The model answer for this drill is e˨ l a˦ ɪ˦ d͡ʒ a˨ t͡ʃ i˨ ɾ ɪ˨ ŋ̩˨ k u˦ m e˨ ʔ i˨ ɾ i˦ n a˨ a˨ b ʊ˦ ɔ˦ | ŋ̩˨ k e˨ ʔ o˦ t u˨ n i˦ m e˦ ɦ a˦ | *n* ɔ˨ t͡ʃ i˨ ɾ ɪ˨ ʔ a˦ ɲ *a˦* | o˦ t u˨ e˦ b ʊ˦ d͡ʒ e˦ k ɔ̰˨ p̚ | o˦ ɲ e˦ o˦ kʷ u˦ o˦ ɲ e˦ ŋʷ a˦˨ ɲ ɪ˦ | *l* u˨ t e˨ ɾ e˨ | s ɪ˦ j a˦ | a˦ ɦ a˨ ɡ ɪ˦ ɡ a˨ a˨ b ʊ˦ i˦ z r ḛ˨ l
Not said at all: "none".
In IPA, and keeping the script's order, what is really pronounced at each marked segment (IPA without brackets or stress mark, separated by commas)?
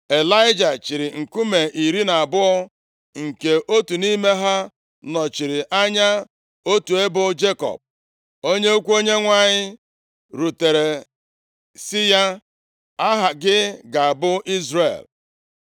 n, a˦, ɾ